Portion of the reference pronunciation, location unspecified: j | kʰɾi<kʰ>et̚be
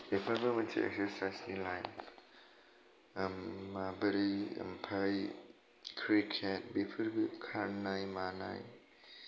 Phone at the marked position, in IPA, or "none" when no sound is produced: kʰ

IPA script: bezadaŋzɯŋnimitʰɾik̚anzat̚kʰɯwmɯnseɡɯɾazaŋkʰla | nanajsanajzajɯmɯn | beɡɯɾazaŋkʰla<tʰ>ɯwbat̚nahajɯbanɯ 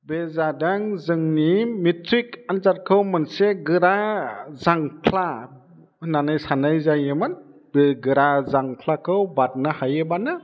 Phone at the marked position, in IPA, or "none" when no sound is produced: kʰ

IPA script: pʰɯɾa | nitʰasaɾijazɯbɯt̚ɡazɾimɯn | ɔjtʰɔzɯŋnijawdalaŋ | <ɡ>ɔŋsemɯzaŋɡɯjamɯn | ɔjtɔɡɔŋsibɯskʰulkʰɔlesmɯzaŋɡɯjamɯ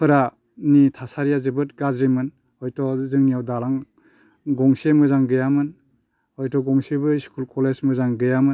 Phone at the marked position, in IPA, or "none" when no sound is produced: ɡ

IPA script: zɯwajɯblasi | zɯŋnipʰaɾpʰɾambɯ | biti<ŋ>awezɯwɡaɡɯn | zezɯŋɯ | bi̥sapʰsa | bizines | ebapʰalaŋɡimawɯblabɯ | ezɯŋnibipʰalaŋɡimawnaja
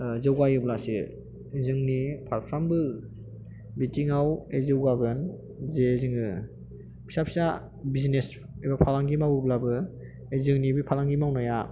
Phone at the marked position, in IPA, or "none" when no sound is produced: ŋ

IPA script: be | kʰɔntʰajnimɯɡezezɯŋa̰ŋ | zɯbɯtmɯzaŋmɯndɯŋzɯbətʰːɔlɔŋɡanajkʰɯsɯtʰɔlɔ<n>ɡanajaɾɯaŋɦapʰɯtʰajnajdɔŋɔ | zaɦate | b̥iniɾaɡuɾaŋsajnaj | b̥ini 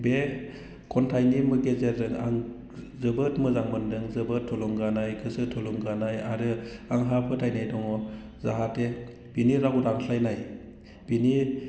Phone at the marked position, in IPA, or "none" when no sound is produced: ŋ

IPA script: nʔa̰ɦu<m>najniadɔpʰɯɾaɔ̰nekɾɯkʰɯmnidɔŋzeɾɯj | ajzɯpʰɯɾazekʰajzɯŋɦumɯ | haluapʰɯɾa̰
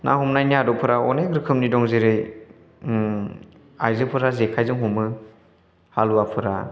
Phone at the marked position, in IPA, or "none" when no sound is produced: m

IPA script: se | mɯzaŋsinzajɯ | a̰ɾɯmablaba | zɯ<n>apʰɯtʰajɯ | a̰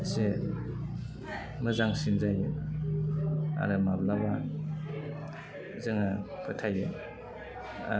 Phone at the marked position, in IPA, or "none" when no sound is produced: ŋ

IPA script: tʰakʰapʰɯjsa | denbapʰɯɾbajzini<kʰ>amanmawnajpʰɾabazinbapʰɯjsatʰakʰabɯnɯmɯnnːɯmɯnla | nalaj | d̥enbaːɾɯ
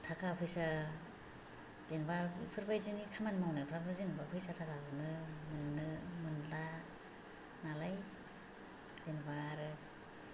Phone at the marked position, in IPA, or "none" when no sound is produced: kʰ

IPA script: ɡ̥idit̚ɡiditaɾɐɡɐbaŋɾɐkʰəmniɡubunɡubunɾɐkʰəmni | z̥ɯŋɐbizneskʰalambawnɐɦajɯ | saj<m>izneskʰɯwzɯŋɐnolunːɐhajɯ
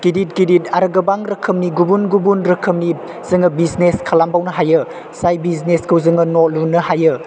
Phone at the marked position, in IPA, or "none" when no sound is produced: b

